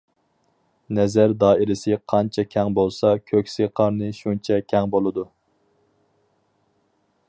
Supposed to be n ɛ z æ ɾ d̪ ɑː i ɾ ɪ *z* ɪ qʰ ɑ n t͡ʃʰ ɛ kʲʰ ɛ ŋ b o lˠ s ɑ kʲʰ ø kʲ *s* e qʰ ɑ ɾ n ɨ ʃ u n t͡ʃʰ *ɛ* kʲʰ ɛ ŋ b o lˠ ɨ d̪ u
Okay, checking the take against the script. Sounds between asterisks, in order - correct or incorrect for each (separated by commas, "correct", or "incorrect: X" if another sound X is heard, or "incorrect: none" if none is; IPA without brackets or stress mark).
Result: incorrect: s, correct, correct